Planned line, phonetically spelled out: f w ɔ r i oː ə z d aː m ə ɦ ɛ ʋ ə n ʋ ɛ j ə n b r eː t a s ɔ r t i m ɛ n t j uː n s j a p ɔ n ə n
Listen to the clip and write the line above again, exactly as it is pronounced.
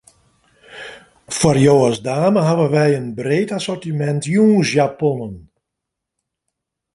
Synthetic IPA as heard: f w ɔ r j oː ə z d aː m ə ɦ a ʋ ə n ʋ ɛ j ə n b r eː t a s ɔ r t i m ɛ n t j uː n s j a p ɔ n ə n